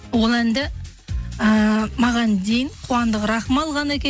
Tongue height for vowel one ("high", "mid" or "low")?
mid